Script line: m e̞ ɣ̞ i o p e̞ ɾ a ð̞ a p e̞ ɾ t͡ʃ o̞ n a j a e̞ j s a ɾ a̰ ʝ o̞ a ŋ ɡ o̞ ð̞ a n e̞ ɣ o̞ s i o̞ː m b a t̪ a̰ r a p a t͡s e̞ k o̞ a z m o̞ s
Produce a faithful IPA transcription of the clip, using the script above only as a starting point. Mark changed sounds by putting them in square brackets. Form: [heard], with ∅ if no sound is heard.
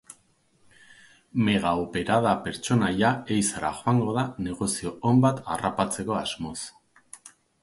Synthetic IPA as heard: m e̞ ɣ̞ [a] o p e̞ ɾ a ð̞ a p e̞ ɾ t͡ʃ o̞ n a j a e̞ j s a ɾ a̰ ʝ o̞ a ŋ ɡ o̞ ð̞ a n e̞ ɣ o̞ s i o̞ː m b a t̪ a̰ r a p a t͡s e̞ k o̞ a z m o̞ s

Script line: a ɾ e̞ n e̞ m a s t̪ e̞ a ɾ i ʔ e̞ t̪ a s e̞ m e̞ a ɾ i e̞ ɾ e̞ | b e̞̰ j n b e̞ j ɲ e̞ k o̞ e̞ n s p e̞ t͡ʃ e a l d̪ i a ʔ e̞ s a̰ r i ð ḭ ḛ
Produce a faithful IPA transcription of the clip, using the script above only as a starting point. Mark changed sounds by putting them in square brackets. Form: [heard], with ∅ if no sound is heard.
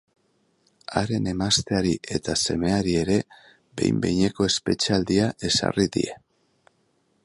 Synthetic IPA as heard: a ɾ e̞ n e̞ m a s t̪ e̞ a ɾ i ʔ e̞ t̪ a s e̞ m e̞ a ɾ i e̞ ɾ e̞ | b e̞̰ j [m] b e̞ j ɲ e̞ k o̞ e̞ [∅] s p e̞ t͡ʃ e a l d̪ i a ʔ e̞ s a̰ r i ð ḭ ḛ

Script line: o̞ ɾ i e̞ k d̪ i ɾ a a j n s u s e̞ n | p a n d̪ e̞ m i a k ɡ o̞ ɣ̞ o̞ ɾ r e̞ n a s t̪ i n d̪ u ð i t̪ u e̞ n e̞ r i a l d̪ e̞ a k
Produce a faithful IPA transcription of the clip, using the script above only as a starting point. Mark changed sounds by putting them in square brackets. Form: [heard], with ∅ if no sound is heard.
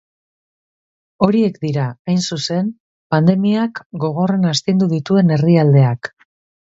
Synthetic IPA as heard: o̞ ɾ i e̞ k d̪ i ɾ a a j n s u s e̞ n | p a n d̪ e̞ m i a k ɡ o̞ ɣ̞ o̞ [∅] r e̞ n a s t̪ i n d̪ u ð i t̪ u e̞ n e̞ r i a l d̪ e̞ a k

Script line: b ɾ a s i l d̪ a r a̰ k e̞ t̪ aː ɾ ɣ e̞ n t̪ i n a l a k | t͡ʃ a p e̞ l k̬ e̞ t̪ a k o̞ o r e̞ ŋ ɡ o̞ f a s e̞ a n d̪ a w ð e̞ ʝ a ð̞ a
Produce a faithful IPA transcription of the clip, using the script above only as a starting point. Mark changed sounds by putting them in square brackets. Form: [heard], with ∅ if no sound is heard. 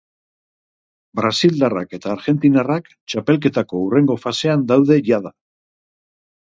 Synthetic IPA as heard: b ɾ a s i l d̪ a r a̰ k e̞ t̪ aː ɾ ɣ e̞ n t̪ i n a [r] a k | t͡ʃ a p e̞ l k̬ e̞ t̪ a k o̞ [u] r e̞ ŋ ɡ o̞ f a s e̞ a n d̪ a w ð e̞ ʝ a ð̞ a

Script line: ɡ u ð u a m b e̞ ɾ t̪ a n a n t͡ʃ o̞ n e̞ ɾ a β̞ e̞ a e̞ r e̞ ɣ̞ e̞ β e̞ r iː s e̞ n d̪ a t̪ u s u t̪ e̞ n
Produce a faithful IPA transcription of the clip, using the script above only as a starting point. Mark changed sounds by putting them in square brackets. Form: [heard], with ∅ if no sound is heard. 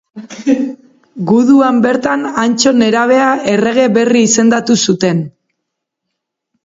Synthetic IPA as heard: ɡ u ð u a m b e̞ ɾ t̪ a n a n t͡ʃ o̞ n e̞ ɾ a β̞ e̞ a e̞ r e̞ ɣ̞ e̞ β e̞ r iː s e̞ n d̪ a t̪ u s u t̪ e̞ n

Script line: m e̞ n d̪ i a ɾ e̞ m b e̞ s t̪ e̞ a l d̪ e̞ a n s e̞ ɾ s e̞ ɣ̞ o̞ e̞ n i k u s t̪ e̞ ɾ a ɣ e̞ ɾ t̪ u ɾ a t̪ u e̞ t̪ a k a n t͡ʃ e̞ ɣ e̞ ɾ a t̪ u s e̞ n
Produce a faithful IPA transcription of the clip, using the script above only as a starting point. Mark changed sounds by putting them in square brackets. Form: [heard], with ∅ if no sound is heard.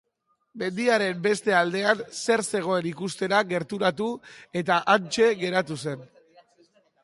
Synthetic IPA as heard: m e̞ n d̪ i a ɾ e̞ m b e̞ s t̪ e̞ a l d̪ e̞ a n s e̞ ɾ s e̞ ɣ̞ o̞ e̞ n i k u s t̪ e̞ ɾ a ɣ e̞ ɾ t̪ u ɾ a t̪ u e̞ t̪ a [ʔ] a n t͡ʃ e̞ ɣ e̞ ɾ a t̪ u s e̞ n

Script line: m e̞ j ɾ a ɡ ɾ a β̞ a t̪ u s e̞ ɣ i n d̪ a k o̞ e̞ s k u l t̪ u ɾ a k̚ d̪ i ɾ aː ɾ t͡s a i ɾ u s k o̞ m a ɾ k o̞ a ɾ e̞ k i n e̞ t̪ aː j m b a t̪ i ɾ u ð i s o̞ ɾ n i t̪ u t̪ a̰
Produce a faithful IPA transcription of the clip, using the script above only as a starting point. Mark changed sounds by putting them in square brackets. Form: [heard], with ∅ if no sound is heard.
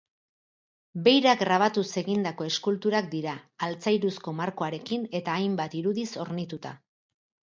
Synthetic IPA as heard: [b] e̞ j ɾ a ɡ ɾ a β̞ a t̪ u s e̞ ɣ i n d̪ a k o̞ e̞ s k u l t̪ u ɾ a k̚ d̪ i ɾ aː [l] t͡s a [j] ɾ u s k o̞ m a ɾ k o̞ a ɾ e̞ k i n e̞ t̪ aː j m b a t̪ i ɾ u ð i s o̞ ɾ n i t̪ u t̪ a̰

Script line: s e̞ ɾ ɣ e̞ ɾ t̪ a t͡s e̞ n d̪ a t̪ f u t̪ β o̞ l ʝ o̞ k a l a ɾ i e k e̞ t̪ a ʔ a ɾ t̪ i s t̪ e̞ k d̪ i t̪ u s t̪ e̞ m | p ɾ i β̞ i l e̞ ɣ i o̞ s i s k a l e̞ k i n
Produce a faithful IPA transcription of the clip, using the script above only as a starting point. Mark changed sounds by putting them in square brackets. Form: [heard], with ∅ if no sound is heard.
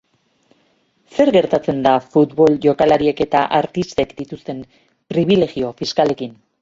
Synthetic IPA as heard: s e̞ ɾ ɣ e̞ ɾ t̪ a t͡s e̞ n d̪ a [∅] f u t̪ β o̞ l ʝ o̞ k a l a ɾ i e k e̞ t̪ a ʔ a ɾ t̪ i s t̪ e̞ k d̪ i t̪ u s t̪ e̞ m | p ɾ i β̞ i l e̞ ɣ i o̞ [f] i s k a l e̞ k i n

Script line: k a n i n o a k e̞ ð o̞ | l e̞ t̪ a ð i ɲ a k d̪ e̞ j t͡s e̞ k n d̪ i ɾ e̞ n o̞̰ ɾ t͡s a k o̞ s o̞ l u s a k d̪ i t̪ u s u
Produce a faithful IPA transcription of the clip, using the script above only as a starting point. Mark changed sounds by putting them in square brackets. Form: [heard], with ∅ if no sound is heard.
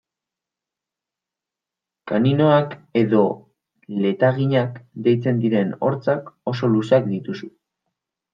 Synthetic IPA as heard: k a n i n o a k e̞ ð o̞ | l e̞ t̪ a [ɣ] i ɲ a k d̪ e̞ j t͡s e̞ [∅] n d̪ i ɾ e̞ n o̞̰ ɾ t͡s a k o̞ s o̞ l u s a k d̪ i t̪ u s u

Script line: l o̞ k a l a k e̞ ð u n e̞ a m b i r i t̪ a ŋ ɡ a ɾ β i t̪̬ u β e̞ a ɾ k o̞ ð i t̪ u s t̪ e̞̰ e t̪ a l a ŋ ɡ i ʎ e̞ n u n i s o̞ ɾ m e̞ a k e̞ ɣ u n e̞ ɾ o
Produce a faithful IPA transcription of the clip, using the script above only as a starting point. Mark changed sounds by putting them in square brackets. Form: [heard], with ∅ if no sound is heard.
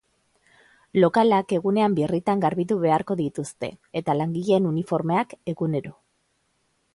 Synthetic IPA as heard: l o̞ k a l a k e̞ [ɣ] u n e̞ a m b i r i t̪ a ŋ ɡ a ɾ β i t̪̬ u β e̞ a ɾ k o̞ ð i t̪ u s t̪ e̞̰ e t̪ a l a ŋ ɡ i ʎ e̞ n u n i [f] o̞ ɾ m e̞ a k e̞ ɣ u n e̞ ɾ o

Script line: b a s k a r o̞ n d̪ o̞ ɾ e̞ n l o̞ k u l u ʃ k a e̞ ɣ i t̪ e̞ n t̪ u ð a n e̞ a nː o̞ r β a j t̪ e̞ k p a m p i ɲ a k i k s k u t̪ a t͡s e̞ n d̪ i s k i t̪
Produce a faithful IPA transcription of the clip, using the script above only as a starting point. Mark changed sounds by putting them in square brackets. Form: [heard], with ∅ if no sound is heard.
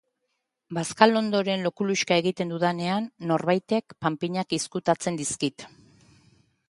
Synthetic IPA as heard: b a s k a [l] o̞ n d̪ o̞ ɾ e̞ n l o̞ k u l u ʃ k a e̞ ɣ i t̪ e̞ n [d̪] u ð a n e̞ a nː o̞ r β a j t̪ e̞ k p a m p i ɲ a k i [∅] s k u t̪ a t͡s e̞ n d̪ i s k i t̪

